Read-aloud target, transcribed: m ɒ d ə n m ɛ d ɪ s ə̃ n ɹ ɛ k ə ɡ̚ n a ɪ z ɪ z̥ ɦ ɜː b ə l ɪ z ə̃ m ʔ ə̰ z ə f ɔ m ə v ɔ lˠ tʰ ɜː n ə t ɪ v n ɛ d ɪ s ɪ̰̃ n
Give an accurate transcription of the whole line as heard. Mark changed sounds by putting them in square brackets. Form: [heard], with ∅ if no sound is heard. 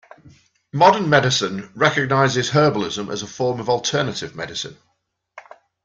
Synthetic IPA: m ɒ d ə n m ɛ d ɪ s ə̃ n ɹ ɛ k ə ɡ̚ n a ɪ z ɪ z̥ ɦ ɜː b ə l ɪ z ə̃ m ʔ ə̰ z ə f [ɔː] m ə v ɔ lˠ tʰ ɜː n ə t ɪ v [m] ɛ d ɪ s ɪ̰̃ n